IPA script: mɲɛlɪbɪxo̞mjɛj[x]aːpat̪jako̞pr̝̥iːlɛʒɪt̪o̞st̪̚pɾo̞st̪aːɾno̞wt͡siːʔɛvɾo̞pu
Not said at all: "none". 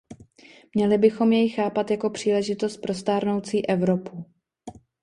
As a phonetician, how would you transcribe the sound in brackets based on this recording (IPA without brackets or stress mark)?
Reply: x